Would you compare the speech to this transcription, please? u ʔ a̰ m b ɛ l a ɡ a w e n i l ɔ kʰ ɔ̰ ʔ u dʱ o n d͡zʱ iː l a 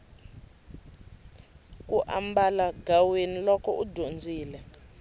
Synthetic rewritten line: u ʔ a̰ m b a l a ɡ a w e n i l ɔ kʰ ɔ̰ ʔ u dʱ o n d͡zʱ iː l ɛ